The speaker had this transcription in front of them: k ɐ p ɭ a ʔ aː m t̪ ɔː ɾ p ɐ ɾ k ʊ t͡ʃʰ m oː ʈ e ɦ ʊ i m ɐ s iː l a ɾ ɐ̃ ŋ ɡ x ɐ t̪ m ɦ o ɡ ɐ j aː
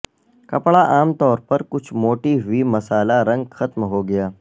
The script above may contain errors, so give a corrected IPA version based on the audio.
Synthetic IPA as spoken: k ɐ p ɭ a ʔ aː m t̪ ɔː ɾ p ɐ ɾ k ʊ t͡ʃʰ m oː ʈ i ɦ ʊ i m ɐ s aː l a ɾ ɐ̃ ŋ ɡ x ɐ t̪ m ɦ o ɡ ɐ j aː